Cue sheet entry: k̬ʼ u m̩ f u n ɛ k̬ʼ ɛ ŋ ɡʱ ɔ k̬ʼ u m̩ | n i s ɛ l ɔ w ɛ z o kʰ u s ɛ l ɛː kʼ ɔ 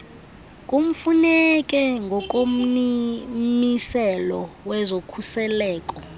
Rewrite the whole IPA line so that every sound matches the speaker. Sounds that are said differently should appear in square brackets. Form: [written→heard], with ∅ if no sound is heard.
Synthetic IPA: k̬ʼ u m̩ f u n ɛ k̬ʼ ɛ ŋ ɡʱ ɔ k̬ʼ [u→o] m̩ | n i s ɛ l ɔ w ɛ z o kʰ u s ɛ l ɛː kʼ ɔ

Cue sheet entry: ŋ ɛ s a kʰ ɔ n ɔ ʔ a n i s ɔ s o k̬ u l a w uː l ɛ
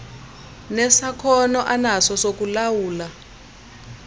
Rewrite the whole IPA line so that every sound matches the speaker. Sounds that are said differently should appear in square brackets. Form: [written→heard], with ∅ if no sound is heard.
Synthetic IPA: [ŋ→n] ɛ s a kʰ ɔ n ɔ ʔ a n [i→a] s ɔ s o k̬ u l a w uː l [ɛ→a]

